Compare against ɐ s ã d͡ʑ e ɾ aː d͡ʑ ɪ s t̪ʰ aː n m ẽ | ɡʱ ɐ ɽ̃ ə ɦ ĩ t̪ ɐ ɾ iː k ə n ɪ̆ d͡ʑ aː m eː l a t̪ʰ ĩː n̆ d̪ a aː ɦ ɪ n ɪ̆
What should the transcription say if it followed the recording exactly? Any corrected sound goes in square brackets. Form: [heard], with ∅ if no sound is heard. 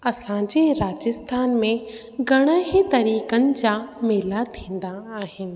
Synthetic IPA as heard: ɐ s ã d͡ʑ e ɾ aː d͡ʑ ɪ s t̪ʰ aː n m ẽ | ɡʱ ɐ ɽ̃ ə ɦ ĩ t̪ ɐ ɾ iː k ə n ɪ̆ d͡ʑ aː m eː l a t̪ʰ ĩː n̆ d̪ a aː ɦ ɪ n ɪ̆

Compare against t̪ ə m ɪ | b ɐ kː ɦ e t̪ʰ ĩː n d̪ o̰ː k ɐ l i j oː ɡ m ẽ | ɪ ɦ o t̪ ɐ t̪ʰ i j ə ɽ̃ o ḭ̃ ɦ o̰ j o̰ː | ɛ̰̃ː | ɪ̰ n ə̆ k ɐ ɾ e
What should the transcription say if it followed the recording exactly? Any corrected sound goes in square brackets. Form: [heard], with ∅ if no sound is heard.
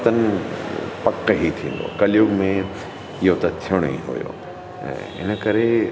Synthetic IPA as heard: t̪ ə [n] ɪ | [p] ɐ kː ɦ [i] t̪ʰ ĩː n d̪ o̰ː k ɐ l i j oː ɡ m ẽ | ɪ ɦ o t̪ ɐ t̪ʰ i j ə ɽ̃ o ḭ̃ ɦ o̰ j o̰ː | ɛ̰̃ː | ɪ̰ n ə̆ k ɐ ɾ e

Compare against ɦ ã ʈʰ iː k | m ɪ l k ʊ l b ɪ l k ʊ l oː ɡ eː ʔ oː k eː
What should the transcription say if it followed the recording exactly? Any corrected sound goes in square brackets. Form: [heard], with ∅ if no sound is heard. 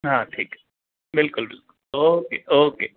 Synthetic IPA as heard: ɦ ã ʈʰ iː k | [b] ɪ l k ʊ l b ɪ l k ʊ l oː [k] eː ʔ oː k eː

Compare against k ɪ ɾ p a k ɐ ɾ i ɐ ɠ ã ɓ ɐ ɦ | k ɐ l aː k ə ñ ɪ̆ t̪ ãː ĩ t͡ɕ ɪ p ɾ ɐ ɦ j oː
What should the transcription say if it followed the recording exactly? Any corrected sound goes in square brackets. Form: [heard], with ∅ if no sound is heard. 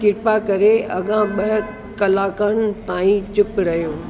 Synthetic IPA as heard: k ɪ ɾ p a k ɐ ɾ [e] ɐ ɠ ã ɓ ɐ ɦ | k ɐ l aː k ə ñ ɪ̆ t̪ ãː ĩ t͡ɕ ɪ p ɾ ɐ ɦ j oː

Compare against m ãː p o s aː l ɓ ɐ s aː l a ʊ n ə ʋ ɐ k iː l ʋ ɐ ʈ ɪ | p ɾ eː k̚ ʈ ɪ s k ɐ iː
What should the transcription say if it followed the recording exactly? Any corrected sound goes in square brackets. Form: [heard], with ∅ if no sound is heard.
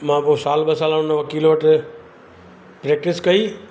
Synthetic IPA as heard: m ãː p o s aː l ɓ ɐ s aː l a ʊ n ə ʋ ɐ k iː l ʋ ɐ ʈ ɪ | p ɾ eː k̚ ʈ ɪ s k ɐ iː

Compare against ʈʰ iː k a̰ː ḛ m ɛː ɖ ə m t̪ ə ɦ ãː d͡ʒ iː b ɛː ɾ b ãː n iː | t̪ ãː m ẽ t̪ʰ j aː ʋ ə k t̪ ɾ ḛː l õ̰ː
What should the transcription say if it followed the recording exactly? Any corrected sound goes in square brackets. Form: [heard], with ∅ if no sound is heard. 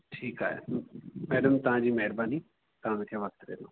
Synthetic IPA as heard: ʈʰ iː k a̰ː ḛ m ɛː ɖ ə m t̪ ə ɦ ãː d͡ʒ iː [m] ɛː ɾ b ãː n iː | t̪ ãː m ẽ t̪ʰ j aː ʋ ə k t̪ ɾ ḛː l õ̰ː

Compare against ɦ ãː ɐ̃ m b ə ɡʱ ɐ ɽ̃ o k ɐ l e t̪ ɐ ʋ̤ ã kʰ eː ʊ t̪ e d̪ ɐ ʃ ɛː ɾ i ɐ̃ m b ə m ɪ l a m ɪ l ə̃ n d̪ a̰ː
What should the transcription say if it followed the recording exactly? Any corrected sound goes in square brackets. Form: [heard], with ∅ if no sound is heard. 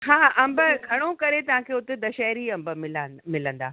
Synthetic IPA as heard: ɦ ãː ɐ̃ m b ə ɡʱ ɐ ɽ̃ o k ɐ [ɾ] e t̪ ɐ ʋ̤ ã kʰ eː ʊ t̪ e d̪ ɐ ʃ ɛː ɾ i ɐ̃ m b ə m ɪ l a m ɪ l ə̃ n d̪ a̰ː

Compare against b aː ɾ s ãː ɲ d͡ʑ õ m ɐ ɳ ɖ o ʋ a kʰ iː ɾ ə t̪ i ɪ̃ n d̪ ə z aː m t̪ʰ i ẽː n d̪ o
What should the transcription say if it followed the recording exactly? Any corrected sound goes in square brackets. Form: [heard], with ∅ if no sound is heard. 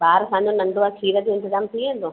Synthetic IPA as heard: b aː ɾ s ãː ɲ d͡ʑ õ [n] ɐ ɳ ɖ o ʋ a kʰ iː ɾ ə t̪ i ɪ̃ n [t̪] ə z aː m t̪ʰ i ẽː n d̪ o

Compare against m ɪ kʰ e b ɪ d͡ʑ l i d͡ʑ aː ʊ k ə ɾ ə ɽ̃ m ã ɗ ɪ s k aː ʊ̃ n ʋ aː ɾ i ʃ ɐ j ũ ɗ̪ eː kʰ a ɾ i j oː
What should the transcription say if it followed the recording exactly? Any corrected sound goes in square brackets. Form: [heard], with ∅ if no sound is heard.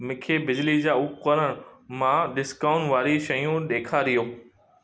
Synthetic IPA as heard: m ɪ kʰ e b ɪ d͡ʑ l i d͡ʑ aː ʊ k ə ɾ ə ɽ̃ m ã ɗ ɪ s k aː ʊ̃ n ʋ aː ɾ i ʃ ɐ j ũ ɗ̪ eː kʰ a ɾ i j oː

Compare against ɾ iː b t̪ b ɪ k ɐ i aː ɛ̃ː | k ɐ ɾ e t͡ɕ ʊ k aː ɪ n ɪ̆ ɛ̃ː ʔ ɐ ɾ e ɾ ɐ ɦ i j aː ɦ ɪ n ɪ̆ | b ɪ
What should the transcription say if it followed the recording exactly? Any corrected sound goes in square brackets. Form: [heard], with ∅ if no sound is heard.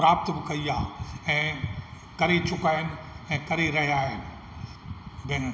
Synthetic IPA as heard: ɾ [aː] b t̪ b ɪ k ɐ i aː ɛ̃ː | k ɐ ɾ e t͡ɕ ʊ k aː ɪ n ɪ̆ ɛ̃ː [k] ɐ ɾ e ɾ ɐ ɦ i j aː ɦ ɪ n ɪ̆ | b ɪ

